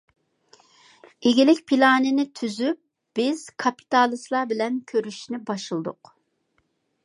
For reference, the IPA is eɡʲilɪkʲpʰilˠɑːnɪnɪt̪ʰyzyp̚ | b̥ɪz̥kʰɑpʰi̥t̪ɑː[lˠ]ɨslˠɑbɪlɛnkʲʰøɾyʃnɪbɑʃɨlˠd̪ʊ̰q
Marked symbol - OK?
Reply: yes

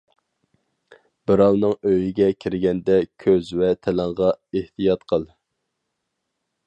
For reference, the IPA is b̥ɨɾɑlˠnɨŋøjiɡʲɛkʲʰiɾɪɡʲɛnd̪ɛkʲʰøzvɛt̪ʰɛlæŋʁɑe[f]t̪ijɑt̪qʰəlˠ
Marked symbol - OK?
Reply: no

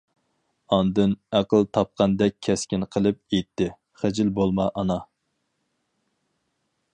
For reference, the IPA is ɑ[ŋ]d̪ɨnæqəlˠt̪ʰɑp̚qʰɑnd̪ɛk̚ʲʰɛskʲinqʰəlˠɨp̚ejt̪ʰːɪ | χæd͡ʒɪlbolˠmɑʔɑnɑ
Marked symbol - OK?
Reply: no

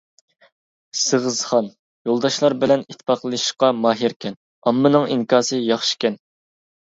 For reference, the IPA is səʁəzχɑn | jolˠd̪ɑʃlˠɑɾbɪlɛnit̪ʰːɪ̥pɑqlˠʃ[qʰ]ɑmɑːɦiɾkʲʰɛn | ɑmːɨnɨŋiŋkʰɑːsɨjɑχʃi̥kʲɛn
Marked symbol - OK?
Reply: no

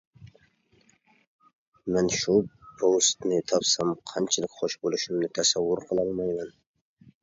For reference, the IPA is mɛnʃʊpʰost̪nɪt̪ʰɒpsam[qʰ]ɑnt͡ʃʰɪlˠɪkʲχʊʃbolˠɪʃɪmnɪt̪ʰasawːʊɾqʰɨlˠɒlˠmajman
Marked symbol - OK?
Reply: yes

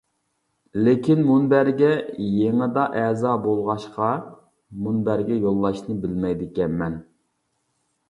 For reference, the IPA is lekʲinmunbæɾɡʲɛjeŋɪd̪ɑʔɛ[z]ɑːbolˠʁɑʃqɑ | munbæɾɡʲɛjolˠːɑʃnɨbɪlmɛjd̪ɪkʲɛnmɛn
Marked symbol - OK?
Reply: yes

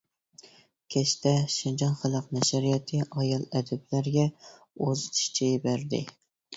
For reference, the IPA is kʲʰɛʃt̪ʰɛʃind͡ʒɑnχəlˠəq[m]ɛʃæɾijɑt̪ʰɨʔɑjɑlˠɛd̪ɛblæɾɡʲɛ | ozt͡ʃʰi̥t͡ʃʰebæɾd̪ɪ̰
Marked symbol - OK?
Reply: no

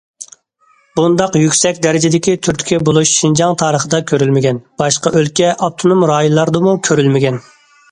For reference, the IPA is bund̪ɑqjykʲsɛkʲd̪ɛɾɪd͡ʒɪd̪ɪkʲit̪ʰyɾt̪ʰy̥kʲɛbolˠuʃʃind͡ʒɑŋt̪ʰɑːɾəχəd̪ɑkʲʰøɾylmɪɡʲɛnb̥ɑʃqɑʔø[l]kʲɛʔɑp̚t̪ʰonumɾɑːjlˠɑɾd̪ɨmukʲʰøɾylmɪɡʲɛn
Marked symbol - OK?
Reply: yes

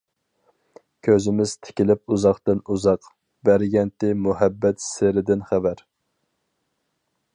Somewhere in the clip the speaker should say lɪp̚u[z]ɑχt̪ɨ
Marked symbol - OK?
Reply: yes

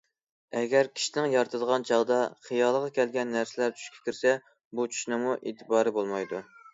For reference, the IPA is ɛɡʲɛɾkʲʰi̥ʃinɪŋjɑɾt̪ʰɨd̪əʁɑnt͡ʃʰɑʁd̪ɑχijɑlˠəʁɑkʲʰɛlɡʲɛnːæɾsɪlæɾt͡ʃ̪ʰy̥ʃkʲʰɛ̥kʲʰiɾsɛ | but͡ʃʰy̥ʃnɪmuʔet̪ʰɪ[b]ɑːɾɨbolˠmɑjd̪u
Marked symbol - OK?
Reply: yes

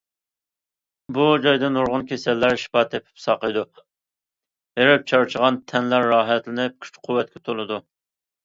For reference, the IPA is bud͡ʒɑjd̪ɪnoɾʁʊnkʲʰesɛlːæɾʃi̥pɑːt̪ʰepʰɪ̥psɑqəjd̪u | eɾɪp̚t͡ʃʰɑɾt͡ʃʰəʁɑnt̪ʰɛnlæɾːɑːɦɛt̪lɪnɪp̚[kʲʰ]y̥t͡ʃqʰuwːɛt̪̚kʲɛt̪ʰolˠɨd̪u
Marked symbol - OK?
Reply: yes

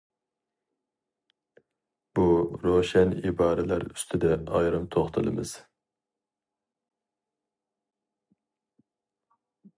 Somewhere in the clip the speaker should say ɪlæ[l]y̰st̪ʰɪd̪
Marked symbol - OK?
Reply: no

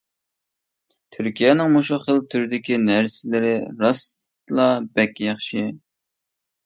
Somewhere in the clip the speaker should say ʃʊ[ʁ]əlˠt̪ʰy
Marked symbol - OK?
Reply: no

